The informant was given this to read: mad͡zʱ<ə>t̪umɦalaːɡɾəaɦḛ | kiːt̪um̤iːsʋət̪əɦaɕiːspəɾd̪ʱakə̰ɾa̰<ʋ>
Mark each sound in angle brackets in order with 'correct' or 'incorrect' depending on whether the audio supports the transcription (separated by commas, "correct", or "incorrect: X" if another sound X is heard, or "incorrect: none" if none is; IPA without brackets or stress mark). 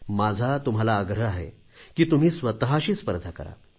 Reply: incorrect: a, incorrect: none